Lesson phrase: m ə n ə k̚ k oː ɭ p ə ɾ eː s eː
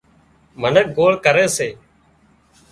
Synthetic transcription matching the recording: m ə n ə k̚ ɡ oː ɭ k ə ɾ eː s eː